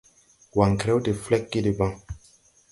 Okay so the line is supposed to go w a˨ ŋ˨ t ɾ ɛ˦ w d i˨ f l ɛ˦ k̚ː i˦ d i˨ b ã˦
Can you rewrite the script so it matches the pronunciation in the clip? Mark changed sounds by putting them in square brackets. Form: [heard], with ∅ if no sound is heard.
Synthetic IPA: w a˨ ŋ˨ [k] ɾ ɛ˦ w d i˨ f l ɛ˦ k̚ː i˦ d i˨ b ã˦